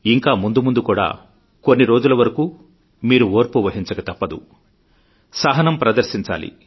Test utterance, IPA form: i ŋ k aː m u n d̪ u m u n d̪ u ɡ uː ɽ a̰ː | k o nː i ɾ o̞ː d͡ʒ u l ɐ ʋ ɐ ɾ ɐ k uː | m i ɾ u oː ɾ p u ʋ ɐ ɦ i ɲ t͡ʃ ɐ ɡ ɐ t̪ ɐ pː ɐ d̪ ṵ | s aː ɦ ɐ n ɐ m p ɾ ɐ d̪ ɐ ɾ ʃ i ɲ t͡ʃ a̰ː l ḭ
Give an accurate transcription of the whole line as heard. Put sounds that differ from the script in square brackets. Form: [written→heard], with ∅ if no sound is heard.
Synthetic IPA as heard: i ŋ k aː m u n d̪ u m u n d̪ u [ɡ→k] uː ɽ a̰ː | k o nː i ɾ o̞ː d͡ʒ u l ɐ ʋ ɐ ɾ ɐ k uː | m [i→iː] ɾ u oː ɾ p u ʋ ɐ ɦ i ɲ t͡ʃ ɐ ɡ ɐ t̪ ɐ pː ɐ d̪ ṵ | s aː ɦ ɐ n ɐ m p ɾ ɐ d̪ ɐ ɾ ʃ i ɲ t͡ʃ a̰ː l ḭ